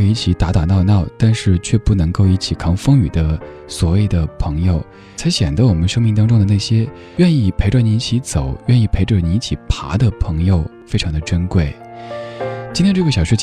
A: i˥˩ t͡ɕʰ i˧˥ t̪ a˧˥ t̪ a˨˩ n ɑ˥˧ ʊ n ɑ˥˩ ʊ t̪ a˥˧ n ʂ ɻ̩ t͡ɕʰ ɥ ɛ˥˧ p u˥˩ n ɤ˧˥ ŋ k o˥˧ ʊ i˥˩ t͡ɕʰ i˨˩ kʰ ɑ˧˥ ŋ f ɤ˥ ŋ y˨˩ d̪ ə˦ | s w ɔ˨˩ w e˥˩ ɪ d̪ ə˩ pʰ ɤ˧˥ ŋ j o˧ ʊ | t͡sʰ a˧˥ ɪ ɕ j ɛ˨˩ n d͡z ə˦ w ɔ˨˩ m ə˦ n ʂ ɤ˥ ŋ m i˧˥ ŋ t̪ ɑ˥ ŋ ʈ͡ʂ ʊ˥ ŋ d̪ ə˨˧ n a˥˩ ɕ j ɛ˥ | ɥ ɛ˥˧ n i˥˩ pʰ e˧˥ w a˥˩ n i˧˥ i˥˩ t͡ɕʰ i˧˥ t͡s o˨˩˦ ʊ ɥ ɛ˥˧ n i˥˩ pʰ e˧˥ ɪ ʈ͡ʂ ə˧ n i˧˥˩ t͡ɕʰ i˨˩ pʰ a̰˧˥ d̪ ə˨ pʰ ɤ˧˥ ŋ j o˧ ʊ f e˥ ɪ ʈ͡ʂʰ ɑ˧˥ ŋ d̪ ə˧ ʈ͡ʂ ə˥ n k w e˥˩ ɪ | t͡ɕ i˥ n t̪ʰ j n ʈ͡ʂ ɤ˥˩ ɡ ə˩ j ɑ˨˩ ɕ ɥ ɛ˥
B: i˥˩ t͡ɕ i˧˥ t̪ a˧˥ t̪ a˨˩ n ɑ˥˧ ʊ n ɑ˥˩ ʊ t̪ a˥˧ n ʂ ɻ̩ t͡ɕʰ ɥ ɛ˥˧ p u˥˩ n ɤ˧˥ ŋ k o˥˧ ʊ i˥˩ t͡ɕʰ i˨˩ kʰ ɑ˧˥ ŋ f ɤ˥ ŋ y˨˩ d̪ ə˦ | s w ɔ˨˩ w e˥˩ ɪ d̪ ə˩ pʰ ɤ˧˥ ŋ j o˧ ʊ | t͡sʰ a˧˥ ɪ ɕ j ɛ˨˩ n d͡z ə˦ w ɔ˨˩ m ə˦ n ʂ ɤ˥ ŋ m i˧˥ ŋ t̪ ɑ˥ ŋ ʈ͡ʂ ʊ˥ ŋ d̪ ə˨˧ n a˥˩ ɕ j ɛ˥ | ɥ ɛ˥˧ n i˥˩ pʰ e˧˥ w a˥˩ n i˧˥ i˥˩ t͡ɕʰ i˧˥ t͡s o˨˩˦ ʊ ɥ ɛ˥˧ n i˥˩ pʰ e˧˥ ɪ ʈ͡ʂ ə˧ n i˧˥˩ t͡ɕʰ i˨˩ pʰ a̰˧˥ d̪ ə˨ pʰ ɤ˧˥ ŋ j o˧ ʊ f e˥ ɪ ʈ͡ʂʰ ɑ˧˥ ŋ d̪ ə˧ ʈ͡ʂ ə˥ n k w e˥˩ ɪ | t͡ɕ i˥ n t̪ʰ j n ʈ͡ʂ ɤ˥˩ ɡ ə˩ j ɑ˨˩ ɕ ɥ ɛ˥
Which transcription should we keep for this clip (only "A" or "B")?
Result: A